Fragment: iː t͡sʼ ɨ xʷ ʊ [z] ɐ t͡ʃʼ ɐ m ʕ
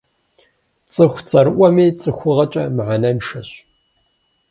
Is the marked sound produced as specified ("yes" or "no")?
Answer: no